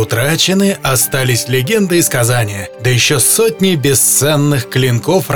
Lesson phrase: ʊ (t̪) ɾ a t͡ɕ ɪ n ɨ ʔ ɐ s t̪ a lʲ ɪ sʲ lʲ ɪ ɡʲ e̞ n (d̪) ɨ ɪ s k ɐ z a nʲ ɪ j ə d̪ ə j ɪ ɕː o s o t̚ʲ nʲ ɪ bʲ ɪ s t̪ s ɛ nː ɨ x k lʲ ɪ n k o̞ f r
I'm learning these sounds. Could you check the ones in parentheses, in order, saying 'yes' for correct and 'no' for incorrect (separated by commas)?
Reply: yes, yes